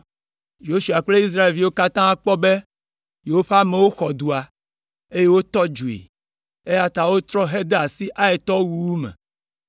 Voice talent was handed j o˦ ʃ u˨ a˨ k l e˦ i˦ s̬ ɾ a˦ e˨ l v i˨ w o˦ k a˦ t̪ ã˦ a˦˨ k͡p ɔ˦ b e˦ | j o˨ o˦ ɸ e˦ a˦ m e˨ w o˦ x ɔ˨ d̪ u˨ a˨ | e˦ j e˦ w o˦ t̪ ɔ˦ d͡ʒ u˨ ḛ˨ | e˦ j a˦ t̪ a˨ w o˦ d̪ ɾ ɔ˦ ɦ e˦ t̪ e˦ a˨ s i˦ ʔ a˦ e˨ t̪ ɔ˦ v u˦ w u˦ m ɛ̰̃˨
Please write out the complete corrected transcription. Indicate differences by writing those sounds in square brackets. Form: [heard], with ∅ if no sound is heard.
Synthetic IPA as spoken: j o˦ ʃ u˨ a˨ [k͡p] l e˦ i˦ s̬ ɾ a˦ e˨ l v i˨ w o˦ k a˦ t̪ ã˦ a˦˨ k͡p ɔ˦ b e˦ | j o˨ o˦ ɸ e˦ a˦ m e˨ w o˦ x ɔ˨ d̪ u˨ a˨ | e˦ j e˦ w o˦ t̪ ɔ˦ d͡ʒ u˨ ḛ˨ | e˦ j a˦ t̪ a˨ w o˦ [t̪] ɾ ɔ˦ ɦ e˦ [d̪] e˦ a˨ s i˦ ʔ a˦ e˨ t̪ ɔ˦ [w] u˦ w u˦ m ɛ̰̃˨